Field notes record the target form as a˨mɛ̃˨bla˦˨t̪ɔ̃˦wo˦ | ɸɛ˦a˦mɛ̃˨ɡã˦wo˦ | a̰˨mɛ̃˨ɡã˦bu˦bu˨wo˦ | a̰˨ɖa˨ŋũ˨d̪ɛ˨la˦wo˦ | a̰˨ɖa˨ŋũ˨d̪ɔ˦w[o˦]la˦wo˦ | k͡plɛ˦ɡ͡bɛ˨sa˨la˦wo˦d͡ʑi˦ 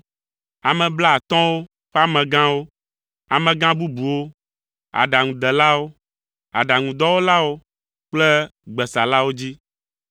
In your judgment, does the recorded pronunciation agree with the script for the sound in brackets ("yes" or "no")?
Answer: yes